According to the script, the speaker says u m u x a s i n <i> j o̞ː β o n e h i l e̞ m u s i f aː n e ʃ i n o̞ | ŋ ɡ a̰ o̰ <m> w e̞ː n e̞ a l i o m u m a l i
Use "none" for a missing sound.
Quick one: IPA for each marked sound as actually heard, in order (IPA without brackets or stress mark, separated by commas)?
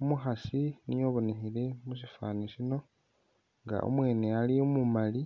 i, m